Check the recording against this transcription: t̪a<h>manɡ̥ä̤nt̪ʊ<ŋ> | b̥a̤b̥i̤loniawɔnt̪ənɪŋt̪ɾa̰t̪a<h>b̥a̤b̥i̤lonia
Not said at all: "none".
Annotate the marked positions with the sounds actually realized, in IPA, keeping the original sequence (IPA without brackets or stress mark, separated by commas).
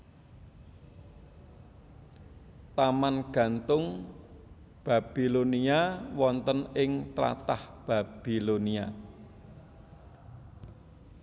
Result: none, ŋ, h